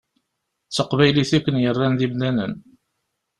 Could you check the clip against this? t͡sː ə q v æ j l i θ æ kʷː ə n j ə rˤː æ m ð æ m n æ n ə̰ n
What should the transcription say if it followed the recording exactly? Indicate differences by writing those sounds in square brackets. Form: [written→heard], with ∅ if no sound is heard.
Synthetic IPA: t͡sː ə q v æ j l i θ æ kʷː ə n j ə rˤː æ [m→n] ð [æ→i] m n æ n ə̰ n